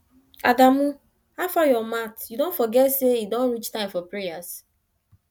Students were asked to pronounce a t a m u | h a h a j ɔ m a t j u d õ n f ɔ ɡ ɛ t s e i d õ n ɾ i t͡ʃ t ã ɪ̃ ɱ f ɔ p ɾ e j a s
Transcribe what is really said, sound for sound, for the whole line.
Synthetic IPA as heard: a d a m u | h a f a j ɔ m a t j u d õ n f ɔ ɡ ɛ t s e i d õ n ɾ i t͡ʃ t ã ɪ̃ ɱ f ɔ p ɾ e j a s